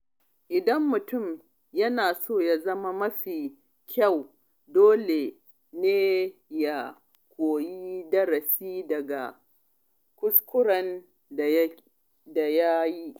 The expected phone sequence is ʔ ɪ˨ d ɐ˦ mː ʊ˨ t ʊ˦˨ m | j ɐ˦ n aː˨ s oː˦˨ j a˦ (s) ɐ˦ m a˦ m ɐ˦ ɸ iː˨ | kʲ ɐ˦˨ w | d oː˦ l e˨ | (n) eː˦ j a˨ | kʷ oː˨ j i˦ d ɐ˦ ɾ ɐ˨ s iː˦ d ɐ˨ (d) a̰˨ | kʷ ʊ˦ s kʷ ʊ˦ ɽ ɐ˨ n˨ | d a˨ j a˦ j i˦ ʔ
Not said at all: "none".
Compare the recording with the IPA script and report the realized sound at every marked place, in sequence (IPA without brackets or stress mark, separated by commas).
z, n, ɡ